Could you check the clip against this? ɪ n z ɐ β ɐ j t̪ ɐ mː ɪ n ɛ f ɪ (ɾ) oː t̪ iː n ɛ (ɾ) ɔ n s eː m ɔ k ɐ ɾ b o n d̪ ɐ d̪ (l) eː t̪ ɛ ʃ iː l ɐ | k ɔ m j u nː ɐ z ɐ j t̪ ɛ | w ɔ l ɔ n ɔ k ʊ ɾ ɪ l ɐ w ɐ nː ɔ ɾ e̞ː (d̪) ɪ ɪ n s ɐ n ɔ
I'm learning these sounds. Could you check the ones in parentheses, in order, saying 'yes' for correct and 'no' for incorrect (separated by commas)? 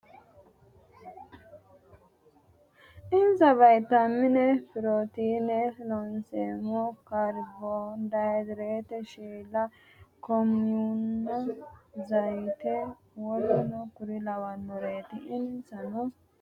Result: yes, no, no, no